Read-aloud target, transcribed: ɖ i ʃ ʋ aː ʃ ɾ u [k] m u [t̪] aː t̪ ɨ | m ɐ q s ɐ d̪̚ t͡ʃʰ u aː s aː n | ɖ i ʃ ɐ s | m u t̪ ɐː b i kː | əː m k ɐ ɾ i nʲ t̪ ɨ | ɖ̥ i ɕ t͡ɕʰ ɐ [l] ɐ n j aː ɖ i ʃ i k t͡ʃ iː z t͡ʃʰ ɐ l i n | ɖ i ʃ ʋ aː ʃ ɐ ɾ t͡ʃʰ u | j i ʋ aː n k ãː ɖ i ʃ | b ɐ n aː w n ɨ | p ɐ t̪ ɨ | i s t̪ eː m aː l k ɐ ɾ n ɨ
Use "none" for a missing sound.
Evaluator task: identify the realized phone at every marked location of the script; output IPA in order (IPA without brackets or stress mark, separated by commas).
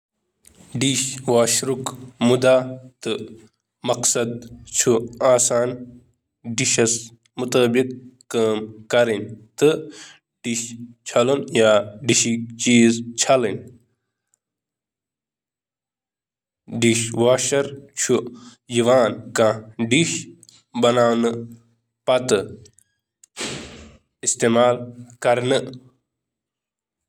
k, d̪, l